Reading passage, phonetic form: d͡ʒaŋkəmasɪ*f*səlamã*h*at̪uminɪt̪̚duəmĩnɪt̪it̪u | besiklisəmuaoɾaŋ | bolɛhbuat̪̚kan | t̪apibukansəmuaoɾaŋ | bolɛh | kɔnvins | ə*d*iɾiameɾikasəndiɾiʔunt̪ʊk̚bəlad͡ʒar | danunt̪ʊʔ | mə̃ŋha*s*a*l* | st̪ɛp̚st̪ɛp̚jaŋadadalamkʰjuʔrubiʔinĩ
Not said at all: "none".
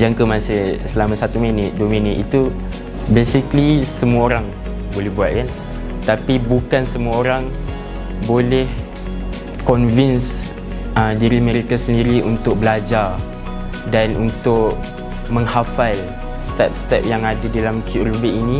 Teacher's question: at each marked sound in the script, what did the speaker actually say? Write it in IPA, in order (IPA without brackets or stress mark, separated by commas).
h, s, d, f, l